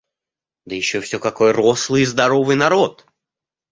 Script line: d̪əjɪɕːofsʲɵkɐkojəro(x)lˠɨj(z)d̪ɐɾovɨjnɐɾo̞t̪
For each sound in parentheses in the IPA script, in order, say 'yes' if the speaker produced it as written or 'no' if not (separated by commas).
no, yes